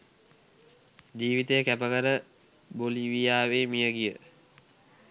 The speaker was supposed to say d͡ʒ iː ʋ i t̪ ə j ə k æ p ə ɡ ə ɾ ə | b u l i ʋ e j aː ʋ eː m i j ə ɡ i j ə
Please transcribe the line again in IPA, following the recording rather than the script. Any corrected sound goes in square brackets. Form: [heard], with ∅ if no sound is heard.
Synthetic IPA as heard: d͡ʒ iː ʋ i t̪ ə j ə k æ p ə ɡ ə ɾ ə | b [o] l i ʋ [i] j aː ʋ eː m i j ə ɡ i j ə